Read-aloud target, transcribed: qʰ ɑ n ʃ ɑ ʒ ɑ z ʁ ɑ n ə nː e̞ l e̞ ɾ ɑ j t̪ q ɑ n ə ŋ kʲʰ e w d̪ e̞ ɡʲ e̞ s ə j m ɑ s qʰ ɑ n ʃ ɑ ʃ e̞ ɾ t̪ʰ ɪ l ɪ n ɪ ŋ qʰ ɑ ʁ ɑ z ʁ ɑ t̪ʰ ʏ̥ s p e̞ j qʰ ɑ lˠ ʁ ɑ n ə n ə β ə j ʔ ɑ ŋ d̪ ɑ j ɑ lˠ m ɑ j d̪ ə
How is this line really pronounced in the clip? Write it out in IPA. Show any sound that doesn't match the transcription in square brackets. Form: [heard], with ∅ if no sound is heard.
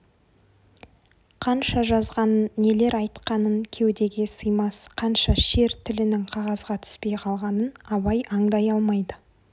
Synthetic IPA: qʰ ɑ n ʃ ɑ ʒ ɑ z ʁ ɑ n ə nː e̞ l e̞ ɾ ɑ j t̪ q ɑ n ə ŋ kʲʰ e w d̪ e̞ ɡʲ e̞ s ə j m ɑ s qʰ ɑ n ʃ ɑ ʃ e̞ ɾ t̪ʰ ɪ l ɪ n ɪ ŋ qʰ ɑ ʁ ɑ z ʁ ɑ t̪ʰ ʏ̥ s p e̞ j qʰ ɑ lˠ ʁ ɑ n ə n [ɑ] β [ɑ] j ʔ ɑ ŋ d̪ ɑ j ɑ lˠ m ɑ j d̪ ə